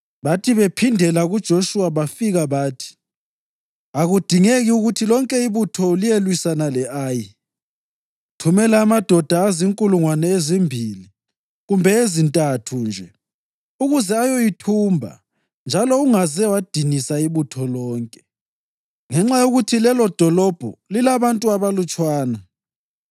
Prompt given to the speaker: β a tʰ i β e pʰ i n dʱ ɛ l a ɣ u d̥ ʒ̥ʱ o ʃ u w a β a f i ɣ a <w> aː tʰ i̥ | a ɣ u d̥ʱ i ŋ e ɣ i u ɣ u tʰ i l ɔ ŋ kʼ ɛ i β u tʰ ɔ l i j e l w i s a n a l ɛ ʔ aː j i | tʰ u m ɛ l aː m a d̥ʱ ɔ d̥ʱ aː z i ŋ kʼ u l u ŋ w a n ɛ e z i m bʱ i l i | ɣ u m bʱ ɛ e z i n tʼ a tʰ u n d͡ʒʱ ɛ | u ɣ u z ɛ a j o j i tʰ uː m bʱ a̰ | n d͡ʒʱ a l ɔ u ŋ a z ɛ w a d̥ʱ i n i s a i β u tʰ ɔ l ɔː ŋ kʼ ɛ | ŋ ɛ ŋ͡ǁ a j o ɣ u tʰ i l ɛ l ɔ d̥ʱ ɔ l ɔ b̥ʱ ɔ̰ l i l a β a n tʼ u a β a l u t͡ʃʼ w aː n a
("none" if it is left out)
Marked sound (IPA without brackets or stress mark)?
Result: β